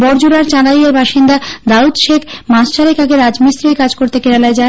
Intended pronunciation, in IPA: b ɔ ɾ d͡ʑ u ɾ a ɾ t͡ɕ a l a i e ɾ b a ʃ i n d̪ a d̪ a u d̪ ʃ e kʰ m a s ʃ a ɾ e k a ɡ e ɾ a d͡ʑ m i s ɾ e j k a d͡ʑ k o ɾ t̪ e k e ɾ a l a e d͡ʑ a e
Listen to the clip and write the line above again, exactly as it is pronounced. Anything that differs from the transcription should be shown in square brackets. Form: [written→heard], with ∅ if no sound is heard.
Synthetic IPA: b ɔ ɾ d͡ʑ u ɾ a ɾ t͡ɕ a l a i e ɾ b a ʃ i n d̪ a d̪ a u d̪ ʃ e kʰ m a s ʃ a ɾ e k a ɡ e ɾ a d͡ʑ m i s ɾ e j k a d͡ʑ k o ɾ t̪ e k e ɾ a l a e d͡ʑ a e